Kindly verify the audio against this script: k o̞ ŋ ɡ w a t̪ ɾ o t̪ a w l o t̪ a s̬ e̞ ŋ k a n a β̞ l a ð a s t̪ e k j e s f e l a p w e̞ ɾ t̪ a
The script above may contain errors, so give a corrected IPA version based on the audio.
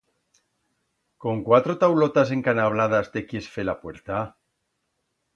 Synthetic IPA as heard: k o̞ ŋ k w a t̪ ɾ o t̪ a w l o t̪ a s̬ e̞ ŋ k a n a β̞ l a ð a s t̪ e k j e s f e l a p w e̞ ɾ t̪ a